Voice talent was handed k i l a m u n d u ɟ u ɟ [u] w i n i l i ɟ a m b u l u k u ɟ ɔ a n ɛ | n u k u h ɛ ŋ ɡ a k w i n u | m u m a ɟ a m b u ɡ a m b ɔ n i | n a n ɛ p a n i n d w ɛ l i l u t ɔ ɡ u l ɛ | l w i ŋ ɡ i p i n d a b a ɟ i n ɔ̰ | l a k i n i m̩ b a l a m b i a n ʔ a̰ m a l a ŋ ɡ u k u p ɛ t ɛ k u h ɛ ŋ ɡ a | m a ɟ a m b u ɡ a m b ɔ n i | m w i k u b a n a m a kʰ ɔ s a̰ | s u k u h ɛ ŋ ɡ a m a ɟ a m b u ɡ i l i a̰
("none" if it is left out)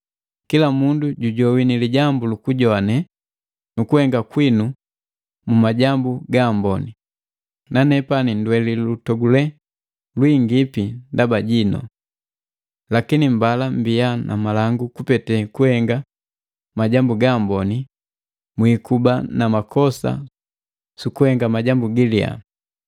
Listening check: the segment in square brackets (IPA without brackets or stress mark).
ɔ